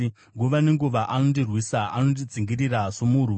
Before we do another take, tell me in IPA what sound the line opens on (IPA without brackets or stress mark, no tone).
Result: ŋ